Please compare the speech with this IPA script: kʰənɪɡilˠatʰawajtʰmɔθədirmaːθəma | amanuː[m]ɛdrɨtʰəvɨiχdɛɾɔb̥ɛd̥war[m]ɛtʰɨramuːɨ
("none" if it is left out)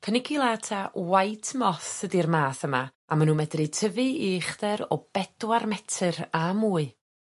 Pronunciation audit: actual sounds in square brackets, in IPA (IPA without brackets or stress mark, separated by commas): m, m